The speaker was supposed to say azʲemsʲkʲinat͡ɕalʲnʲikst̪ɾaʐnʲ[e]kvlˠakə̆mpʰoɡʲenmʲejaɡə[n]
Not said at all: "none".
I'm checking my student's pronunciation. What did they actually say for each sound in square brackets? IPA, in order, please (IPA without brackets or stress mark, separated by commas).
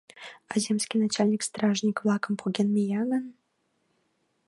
i, n